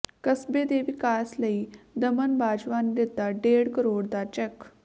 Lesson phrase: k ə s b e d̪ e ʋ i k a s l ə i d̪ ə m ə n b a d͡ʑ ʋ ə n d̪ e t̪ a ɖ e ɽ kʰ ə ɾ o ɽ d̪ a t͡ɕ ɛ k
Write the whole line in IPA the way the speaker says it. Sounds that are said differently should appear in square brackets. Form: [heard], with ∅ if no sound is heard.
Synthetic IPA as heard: k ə s b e d̪ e ʋ i k a s l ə i d̪ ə m ə n b a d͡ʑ ʋ [a] n d̪ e t̪ a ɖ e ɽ [k] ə ɾ o ɽ d̪ a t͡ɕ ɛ k